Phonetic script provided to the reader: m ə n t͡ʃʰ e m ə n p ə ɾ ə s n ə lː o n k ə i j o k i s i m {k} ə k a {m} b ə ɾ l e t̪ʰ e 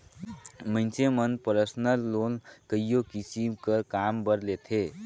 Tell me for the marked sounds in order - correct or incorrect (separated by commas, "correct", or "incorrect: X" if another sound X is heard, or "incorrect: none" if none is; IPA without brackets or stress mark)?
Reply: correct, correct